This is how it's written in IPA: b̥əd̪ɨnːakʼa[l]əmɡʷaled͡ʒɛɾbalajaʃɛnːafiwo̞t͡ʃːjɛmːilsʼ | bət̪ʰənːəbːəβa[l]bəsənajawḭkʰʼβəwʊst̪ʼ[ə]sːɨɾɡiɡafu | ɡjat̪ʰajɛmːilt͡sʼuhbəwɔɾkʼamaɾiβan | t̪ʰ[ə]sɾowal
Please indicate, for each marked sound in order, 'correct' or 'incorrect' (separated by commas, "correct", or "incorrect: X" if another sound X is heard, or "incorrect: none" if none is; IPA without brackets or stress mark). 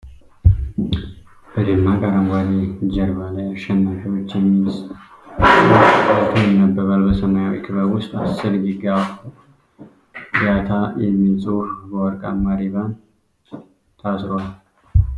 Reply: incorrect: ɾ, correct, incorrect: a, incorrect: a